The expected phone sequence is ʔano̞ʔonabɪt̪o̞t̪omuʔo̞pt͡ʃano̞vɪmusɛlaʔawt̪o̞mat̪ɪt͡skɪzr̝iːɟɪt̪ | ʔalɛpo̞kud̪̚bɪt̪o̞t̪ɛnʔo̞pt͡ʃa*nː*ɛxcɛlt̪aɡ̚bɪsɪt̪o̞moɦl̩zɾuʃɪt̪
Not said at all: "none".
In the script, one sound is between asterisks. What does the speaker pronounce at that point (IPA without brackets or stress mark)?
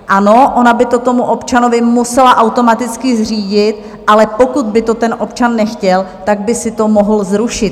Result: nː